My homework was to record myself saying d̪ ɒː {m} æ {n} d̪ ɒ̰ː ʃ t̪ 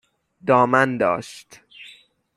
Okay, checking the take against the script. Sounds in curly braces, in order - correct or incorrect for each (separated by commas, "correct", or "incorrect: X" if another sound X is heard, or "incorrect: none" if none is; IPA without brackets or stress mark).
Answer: correct, correct